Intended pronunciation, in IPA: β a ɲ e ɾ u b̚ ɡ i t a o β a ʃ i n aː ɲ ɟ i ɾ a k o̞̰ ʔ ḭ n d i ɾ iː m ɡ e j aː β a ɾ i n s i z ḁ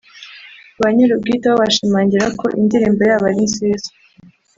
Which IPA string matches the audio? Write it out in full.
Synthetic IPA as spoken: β a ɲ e ɾ u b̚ ɡ i t a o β a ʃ i m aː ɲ ɟ i ɾ a k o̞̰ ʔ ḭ n d i ɾ iː m b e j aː β a ɾ i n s i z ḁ